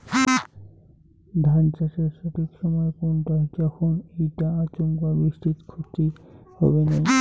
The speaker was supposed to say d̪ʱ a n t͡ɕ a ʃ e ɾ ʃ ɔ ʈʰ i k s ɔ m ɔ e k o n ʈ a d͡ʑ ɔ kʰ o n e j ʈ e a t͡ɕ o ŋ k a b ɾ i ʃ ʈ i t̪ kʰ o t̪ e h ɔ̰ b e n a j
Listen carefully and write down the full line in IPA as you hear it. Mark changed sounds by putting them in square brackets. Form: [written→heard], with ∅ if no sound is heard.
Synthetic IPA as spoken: d̪ʱ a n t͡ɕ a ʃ e ɾ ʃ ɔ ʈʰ i k [s→ʃ] ɔ m ɔ e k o n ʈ a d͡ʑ ɔ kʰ o n e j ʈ [e→a] a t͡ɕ o ŋ k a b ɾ i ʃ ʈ i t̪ kʰ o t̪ [e→i] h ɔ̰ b e n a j